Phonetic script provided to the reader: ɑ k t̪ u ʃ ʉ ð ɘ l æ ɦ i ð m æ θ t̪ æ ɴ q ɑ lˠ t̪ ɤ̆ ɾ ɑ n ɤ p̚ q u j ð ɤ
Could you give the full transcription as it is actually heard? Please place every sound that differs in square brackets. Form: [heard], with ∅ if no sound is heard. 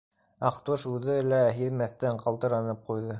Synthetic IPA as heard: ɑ [q] t̪ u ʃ ʉ ð ɘ l æ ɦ i ð m æ θ t̪ æ ɴ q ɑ lˠ t̪ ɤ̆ ɾ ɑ n ɤ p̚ q u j ð ɤ